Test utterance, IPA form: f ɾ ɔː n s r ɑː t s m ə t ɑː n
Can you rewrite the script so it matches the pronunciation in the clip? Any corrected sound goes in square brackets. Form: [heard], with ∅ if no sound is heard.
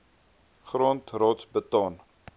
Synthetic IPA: [χ] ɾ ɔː n [t] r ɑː t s [b] ə t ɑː n

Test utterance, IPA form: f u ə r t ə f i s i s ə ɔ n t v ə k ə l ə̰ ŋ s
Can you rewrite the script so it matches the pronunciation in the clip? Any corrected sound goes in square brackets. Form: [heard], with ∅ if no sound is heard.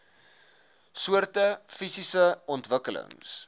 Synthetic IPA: [s] u ə r t ə f i s i s ə ɔ n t v ə k ə l ə̰ ŋ s

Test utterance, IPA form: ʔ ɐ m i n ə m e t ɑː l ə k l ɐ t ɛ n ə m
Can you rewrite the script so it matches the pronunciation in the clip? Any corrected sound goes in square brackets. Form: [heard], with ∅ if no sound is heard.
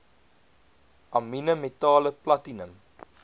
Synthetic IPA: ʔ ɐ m i n ə m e t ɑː l ə [p] l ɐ t [i] n ə m

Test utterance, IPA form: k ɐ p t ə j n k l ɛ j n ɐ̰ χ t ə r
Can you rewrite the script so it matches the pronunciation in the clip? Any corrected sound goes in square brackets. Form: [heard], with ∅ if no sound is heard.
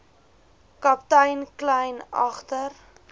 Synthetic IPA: k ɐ p t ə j n k l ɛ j n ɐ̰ χ t ə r

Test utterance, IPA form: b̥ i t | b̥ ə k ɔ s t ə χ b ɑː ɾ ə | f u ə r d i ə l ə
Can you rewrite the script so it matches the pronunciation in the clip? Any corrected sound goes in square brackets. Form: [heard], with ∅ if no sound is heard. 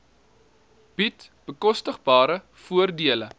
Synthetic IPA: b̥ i t | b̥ ə k ɔ s t ə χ b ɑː ɾ ə | f u ə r d i ə l ə

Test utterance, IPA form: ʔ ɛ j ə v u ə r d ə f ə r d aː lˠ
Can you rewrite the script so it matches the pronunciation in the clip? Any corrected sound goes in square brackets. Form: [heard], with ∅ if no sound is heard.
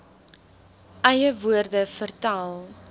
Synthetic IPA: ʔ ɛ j ə v u ə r d ə f ə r [t] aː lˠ

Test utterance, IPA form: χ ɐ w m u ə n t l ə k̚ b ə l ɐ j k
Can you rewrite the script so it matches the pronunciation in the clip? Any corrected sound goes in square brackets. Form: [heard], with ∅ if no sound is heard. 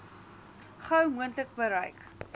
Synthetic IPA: χ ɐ w m u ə n t l ə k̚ b ə [ɾ] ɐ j k

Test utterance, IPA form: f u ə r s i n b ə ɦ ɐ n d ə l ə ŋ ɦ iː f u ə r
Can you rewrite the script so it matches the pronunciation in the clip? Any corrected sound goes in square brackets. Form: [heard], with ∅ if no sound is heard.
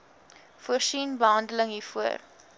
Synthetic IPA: f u ə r s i n b ə ɦ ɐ n d ə l ə ŋ ɦ iː f u ə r

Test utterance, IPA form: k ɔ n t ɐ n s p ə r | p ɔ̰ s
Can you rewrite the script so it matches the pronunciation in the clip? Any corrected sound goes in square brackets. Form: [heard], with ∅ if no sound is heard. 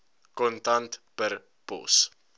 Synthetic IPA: k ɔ n t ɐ n [t] p ə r | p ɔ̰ s

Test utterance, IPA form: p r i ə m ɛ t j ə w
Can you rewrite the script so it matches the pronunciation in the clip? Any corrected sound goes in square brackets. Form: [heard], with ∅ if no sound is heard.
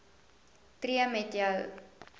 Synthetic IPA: [t] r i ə m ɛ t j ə w

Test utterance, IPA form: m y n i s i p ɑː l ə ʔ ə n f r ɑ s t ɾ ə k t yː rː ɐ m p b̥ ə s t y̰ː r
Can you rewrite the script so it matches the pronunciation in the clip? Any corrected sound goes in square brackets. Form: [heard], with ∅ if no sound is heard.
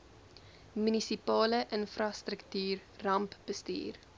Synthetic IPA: m y n i s i p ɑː l ə ʔ ə n f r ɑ s t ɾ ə k t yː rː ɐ m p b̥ ə s t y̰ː r

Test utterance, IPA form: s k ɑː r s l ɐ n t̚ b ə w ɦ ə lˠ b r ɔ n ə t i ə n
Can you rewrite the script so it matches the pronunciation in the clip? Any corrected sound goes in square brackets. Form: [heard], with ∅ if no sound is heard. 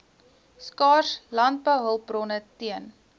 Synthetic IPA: s k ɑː r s l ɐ n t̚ b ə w ɦ ə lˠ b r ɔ n ə t i ə n

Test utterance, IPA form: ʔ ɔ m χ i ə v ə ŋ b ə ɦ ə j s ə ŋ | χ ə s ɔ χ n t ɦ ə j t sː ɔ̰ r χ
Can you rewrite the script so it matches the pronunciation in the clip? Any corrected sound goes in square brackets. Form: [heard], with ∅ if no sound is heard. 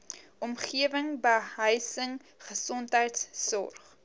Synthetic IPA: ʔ ɔ m χ i ə v ə ŋ b ə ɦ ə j s ə ŋ | χ ə s ɔ [∅] n t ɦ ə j t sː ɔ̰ r χ

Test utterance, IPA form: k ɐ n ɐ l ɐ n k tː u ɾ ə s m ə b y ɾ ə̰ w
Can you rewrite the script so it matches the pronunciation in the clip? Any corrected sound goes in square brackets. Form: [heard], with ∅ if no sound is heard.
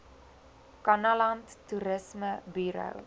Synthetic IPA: k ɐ n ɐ l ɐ n [t] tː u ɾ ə s m ə b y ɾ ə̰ w

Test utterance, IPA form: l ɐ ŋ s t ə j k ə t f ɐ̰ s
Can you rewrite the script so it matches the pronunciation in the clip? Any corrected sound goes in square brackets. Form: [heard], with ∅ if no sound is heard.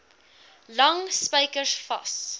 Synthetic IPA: l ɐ ŋ s [p] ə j k ə [s] f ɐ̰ s

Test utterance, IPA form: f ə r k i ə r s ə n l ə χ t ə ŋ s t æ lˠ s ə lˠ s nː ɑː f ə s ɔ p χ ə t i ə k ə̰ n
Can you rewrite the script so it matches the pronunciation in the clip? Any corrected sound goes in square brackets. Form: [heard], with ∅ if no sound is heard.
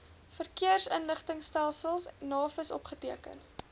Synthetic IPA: f ə r k i ə r s ə n l ə χ t ə ŋ s t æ lˠ s ə lˠ s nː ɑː f ə s ɔ p χ ə t i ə k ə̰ n

